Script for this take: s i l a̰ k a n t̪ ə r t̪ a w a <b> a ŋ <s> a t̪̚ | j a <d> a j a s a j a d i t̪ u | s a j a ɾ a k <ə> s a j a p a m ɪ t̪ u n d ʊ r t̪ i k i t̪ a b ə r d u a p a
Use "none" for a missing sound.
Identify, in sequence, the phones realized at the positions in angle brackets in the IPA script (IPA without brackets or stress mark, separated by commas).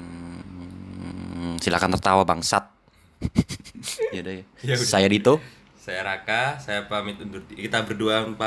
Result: b, s, d, a